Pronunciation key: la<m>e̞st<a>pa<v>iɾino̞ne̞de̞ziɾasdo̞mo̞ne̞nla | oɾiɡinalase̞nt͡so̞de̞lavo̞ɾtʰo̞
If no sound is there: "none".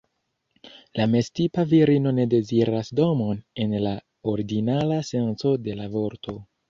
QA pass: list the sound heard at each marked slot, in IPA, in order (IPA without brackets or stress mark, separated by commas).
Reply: m, i, v